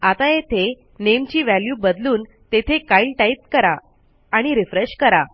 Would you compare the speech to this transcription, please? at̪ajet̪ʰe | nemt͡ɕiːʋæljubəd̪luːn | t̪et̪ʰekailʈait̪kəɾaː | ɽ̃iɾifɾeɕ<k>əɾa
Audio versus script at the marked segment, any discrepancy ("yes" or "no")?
no